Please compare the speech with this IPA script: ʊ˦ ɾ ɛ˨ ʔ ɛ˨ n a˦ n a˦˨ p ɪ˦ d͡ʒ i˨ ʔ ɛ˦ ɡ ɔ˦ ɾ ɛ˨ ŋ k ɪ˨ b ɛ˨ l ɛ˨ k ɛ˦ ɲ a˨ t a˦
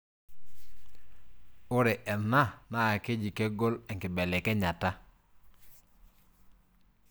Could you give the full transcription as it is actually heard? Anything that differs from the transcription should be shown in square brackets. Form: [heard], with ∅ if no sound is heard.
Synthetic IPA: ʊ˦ ɾ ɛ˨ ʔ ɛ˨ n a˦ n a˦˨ [k] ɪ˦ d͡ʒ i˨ [k] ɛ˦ ɡ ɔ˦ [l] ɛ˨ ŋ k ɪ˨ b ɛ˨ l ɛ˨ k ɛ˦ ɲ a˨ t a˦